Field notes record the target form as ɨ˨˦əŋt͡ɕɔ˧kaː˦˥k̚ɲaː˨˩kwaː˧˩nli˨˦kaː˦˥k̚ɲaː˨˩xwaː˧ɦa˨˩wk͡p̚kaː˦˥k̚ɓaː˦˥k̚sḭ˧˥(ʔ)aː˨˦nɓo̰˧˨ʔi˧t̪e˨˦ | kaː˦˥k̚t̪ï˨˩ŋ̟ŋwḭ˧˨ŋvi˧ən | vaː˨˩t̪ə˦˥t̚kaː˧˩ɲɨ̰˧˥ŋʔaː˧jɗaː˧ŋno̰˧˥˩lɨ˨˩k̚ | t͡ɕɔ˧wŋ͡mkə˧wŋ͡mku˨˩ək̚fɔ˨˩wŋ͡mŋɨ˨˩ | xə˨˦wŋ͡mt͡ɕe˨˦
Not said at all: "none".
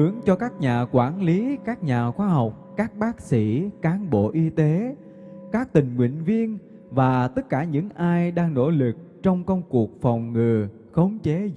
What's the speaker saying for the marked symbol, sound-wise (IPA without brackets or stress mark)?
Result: k